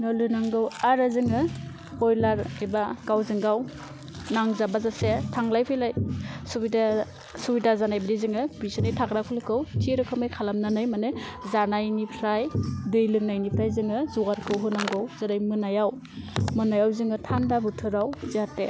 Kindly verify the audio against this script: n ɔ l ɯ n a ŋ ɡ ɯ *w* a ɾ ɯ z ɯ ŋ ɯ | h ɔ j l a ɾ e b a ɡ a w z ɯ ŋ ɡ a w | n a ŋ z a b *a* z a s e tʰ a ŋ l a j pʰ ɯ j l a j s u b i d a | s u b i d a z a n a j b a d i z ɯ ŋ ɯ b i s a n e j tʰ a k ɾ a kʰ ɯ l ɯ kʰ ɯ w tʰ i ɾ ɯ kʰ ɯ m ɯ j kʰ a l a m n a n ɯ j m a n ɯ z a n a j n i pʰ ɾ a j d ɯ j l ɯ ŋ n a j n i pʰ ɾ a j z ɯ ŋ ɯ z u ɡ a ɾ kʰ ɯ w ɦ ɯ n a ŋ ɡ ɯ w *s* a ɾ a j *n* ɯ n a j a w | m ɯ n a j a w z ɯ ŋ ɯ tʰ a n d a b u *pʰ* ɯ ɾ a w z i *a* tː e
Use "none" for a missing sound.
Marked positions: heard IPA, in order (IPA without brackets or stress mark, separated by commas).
w, a, z, m, tʰ, a